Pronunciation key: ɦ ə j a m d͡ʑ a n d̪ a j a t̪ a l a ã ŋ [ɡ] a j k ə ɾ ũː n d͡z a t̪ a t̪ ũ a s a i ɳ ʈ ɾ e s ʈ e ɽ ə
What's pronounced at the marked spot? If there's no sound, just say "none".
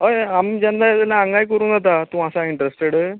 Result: ɡ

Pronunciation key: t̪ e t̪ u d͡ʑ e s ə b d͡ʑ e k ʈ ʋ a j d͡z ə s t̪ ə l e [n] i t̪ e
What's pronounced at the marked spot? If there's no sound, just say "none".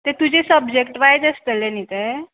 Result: n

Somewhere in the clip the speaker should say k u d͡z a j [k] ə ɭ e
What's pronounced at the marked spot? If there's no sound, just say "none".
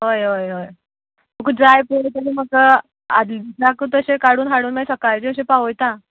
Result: p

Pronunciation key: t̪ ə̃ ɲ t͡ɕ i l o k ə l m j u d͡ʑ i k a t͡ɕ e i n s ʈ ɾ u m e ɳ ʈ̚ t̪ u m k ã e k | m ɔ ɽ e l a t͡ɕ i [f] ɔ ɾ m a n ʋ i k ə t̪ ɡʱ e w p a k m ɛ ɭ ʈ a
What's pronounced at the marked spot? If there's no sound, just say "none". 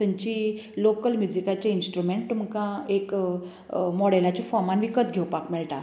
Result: f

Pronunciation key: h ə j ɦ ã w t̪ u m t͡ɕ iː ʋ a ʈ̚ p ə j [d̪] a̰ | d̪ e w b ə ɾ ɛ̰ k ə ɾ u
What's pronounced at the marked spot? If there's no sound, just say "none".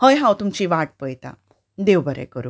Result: t̪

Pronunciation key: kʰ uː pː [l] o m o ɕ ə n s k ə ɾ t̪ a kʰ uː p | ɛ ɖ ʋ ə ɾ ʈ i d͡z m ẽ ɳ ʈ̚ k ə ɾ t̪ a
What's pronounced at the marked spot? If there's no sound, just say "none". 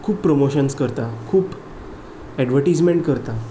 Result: ɾ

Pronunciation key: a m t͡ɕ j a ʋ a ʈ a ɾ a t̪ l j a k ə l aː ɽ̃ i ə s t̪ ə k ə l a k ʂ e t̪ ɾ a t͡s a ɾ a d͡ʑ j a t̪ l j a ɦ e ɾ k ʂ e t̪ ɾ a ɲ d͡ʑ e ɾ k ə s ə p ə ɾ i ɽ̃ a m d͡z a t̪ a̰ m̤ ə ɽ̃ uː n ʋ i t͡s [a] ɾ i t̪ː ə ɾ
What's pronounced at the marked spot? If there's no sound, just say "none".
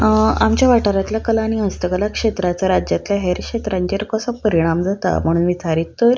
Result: a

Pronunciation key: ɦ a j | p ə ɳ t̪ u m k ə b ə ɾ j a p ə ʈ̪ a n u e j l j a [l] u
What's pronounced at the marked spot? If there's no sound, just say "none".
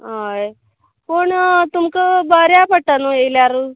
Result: ɾ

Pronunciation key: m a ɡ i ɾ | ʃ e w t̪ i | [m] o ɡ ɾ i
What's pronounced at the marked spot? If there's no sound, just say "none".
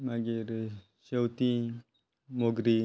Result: m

